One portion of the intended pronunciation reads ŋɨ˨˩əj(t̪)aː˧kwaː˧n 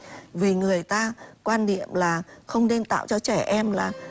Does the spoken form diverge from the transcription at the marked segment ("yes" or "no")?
no